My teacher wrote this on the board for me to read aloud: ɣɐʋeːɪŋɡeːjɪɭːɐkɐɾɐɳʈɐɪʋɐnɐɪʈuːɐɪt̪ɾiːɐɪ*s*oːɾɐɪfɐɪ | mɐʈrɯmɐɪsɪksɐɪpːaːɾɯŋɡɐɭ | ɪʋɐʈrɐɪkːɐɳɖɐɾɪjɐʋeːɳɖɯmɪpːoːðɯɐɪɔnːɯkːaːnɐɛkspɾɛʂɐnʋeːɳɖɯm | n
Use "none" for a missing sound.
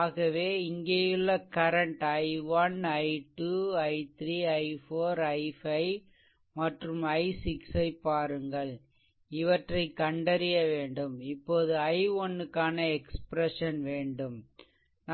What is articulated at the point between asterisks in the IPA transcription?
f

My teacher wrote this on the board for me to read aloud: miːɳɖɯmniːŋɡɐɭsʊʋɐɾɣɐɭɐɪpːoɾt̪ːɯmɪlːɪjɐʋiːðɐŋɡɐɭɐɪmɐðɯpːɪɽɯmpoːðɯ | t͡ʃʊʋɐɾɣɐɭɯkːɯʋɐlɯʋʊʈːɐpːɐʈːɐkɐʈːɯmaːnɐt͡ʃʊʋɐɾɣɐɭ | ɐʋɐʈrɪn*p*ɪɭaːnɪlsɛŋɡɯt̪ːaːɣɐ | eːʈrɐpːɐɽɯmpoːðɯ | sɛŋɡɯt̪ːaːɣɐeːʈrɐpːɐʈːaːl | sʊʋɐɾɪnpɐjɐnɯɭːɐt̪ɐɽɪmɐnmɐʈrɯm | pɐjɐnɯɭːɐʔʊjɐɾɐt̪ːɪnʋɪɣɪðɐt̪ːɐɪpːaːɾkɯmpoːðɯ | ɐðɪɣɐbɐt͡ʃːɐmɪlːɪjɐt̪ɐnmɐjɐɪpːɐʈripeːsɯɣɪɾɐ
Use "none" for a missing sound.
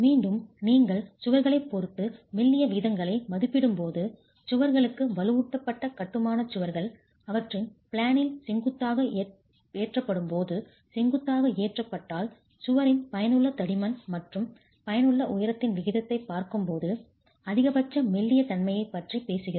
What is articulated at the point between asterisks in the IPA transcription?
p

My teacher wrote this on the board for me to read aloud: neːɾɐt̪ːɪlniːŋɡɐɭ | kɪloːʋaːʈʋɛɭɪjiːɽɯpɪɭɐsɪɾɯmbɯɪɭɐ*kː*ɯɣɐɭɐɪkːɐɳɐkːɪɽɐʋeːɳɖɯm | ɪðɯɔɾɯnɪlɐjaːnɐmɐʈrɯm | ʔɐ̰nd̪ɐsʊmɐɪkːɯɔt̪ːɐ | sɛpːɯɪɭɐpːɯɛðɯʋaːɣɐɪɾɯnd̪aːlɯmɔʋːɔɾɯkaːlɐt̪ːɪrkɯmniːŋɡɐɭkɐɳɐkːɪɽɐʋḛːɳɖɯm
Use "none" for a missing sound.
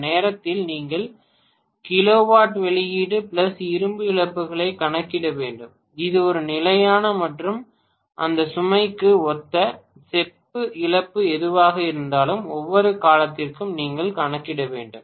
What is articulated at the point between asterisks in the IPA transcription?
pː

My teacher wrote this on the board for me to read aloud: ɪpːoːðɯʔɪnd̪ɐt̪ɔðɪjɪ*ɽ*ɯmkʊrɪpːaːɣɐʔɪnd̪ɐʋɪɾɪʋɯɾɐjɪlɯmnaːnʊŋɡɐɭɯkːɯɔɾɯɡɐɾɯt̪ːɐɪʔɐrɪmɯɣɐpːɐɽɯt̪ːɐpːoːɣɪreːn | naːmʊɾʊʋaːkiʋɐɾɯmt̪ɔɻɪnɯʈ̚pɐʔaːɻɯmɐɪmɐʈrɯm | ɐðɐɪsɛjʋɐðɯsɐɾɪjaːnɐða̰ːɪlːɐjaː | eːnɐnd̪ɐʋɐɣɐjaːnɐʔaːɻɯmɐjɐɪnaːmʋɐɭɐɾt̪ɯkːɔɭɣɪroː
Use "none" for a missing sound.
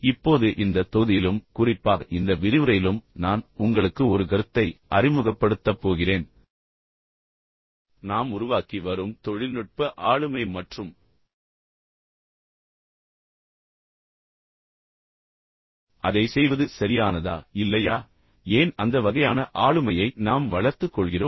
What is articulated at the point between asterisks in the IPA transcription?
l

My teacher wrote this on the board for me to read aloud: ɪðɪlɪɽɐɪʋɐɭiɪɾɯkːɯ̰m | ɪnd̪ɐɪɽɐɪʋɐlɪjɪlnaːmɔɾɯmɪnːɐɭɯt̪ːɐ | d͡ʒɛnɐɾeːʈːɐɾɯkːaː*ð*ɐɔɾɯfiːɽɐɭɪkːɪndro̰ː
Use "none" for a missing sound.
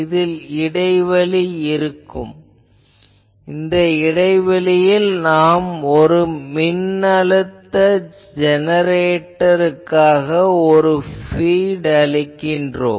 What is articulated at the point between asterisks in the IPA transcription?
ɣ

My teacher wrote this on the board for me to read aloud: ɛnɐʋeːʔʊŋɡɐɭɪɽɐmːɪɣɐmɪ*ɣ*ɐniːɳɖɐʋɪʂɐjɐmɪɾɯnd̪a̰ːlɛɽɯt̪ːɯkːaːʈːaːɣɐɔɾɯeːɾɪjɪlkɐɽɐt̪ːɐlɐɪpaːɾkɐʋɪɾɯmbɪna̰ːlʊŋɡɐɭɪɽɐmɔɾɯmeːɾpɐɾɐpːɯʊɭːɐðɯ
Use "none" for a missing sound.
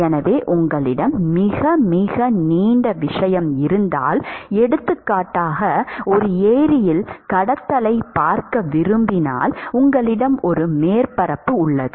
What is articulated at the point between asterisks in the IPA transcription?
ɣ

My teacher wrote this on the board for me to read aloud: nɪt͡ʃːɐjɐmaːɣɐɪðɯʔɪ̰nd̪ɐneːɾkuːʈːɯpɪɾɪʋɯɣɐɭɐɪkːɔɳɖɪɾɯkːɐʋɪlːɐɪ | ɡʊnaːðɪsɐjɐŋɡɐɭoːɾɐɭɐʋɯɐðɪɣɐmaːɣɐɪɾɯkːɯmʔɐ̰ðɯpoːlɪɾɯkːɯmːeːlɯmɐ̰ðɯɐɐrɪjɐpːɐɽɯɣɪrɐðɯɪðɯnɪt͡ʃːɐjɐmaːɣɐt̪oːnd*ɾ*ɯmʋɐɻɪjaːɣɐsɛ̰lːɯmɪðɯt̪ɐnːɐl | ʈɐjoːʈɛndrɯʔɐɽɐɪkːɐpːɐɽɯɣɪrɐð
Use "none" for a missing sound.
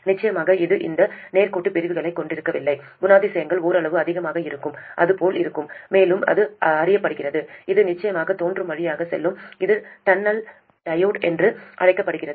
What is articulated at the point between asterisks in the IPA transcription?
r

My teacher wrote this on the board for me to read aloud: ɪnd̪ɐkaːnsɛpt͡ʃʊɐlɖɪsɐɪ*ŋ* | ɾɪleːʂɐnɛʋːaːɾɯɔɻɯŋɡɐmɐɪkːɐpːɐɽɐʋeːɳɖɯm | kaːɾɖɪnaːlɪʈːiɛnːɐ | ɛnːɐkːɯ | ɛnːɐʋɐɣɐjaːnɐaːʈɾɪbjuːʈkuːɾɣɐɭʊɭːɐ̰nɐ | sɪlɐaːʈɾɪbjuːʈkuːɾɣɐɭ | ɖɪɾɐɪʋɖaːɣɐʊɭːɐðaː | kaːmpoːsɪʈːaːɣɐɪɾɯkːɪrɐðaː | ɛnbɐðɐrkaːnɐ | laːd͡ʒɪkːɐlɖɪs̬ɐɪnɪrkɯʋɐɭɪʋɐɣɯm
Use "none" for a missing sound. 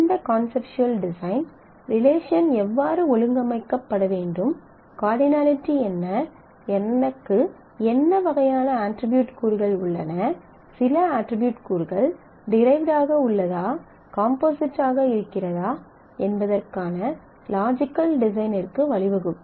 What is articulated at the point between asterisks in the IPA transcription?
n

